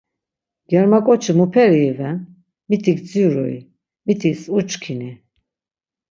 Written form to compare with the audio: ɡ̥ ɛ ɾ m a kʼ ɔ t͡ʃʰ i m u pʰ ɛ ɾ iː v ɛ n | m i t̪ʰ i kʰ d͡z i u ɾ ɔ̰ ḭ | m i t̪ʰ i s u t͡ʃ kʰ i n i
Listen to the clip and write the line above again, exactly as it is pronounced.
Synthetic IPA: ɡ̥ ɛ ɾ m a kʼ ɔ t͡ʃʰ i m u pʰ ɛ ɾ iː v ɛ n | m i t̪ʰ i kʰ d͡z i u ɾ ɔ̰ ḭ | m i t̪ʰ i s u t͡ʃ kʰ i n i